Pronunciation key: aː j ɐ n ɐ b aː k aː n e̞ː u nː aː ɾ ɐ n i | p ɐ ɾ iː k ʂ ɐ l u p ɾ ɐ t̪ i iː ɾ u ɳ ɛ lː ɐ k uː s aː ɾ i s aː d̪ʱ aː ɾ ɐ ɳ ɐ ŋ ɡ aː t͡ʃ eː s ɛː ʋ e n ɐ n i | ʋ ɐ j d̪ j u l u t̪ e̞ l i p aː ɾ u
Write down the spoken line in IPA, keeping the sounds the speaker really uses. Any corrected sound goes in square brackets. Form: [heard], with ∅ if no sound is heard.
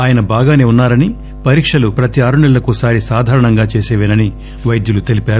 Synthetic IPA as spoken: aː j ɐ n ɐ b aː [ɡ] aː n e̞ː u nː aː ɾ ɐ n i | p ɐ ɾ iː k ʂ ɐ l u p ɾ ɐ t̪ i [aː] ɾ u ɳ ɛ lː ɐ k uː s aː ɾ i s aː d̪ʱ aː ɾ ɐ ɳ ɐ ŋ ɡ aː t͡ʃ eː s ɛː ʋ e n ɐ n i | ʋ ɐ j d̪ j u l u t̪ e̞ l i p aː ɾ u